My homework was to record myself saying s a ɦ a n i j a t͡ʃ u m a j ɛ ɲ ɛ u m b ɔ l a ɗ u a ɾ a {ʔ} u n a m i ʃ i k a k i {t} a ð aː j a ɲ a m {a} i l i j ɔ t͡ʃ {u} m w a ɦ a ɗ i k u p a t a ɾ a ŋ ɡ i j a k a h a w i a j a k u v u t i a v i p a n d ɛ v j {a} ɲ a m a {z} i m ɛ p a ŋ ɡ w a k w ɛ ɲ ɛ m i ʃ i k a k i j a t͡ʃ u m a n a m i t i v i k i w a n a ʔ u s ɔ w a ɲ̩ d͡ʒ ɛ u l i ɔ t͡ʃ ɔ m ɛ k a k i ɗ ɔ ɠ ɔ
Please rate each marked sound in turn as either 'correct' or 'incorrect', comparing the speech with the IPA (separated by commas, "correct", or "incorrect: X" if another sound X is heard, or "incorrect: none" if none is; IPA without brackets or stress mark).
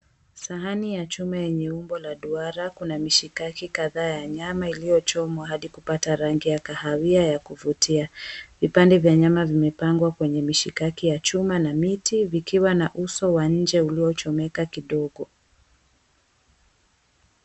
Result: incorrect: k, incorrect: k, correct, incorrect: ɔ, correct, incorrect: v